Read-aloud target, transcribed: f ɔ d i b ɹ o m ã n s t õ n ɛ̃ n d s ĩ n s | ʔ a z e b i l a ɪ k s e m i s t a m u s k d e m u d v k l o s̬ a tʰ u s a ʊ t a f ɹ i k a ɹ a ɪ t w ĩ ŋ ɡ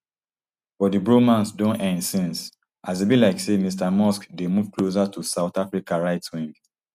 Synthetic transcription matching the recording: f ɔ d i b ɹ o m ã n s d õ n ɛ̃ n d s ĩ n s | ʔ a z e b i l a ɪ k s e m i s t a m ɔ s k d e m u v k l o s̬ a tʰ u s a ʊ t a f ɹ i k a ɹ a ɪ t w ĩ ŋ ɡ